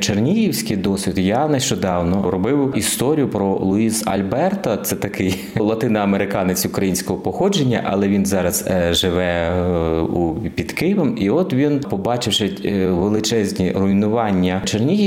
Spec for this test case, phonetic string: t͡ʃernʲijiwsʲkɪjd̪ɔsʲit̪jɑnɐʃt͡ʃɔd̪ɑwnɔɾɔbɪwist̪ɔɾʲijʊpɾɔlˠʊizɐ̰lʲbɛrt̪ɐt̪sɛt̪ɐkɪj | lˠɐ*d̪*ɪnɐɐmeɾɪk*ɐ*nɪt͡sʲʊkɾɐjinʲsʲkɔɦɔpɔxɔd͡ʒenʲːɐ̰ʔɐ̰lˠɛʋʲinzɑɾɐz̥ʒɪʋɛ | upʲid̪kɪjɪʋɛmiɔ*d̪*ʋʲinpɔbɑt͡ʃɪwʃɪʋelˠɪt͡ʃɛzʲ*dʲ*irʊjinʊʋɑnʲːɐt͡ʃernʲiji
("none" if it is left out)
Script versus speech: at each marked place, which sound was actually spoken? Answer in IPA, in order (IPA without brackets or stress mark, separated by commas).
t̪, ɑ, t̪, nʲ